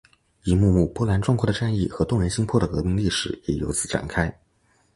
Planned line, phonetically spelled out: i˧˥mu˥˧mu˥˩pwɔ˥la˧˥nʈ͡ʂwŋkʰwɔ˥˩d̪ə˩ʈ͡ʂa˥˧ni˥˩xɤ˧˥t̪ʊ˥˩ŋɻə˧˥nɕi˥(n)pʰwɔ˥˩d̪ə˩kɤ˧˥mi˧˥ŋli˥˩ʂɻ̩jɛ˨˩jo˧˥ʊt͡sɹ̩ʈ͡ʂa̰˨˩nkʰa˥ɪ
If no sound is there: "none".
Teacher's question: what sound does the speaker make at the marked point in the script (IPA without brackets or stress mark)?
ŋ